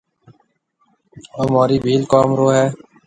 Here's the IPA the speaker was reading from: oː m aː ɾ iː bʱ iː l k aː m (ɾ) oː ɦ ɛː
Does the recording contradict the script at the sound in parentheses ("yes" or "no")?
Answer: no